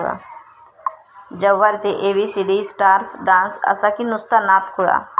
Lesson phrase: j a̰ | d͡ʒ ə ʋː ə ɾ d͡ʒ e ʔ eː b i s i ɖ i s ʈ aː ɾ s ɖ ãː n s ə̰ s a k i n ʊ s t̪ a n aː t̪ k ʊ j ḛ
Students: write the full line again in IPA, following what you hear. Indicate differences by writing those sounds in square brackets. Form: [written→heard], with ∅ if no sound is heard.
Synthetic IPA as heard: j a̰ | d͡ʒ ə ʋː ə ɾ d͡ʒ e ʔ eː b i s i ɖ i s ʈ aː ɾ s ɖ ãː n s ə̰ s a k i n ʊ s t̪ a n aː t̪ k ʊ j [ḛ→a̰]